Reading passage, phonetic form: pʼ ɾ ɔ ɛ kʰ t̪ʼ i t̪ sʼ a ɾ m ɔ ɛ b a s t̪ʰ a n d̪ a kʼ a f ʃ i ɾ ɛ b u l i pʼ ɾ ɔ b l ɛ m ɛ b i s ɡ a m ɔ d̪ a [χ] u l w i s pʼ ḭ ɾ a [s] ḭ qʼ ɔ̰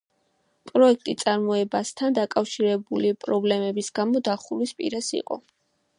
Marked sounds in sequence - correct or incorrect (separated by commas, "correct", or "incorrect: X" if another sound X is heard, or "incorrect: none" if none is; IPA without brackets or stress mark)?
correct, correct